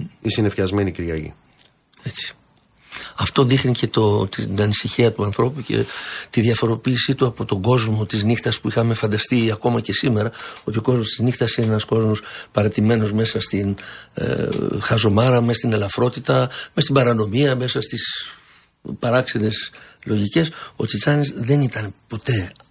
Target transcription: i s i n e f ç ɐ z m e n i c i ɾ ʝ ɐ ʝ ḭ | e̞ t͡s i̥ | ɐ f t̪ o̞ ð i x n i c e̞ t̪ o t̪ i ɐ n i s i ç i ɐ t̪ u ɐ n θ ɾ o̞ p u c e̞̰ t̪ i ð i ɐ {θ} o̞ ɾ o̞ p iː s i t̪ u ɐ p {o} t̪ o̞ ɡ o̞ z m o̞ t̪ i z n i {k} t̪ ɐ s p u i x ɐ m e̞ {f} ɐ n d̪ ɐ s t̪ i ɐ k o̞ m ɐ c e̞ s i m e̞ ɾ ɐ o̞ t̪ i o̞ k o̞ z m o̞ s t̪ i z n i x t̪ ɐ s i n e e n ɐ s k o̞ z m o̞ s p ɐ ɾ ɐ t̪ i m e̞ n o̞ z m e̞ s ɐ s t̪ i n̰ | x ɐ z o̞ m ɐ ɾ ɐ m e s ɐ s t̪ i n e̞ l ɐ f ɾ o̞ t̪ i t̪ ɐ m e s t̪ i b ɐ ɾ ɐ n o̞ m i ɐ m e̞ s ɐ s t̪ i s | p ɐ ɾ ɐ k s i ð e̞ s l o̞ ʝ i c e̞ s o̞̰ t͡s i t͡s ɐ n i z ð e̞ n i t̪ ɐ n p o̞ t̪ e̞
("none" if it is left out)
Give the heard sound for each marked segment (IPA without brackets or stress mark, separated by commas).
f, o, x, f